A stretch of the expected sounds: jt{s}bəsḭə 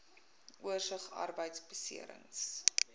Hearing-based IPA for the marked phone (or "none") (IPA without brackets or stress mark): s